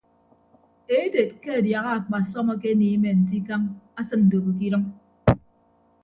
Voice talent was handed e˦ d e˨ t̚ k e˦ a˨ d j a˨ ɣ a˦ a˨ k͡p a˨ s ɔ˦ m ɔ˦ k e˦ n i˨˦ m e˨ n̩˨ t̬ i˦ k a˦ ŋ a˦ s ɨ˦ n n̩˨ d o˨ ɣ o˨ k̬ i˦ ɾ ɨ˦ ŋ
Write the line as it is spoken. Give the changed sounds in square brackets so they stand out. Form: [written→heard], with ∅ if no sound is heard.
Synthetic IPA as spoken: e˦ d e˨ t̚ k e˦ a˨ d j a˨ ɣ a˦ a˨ k͡p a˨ s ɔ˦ m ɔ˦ k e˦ n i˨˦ m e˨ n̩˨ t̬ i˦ k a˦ ŋ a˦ s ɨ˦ n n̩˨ d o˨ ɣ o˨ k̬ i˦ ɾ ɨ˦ ŋ